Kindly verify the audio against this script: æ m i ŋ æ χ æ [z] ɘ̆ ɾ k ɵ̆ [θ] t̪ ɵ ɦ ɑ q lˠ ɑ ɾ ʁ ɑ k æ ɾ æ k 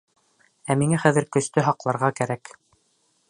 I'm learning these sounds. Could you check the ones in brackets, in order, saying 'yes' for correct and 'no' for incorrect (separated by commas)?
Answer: no, no